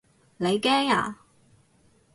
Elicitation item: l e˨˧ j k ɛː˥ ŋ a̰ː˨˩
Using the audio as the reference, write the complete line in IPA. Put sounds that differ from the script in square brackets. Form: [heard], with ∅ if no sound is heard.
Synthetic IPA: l e˨˧ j k ɛː˥ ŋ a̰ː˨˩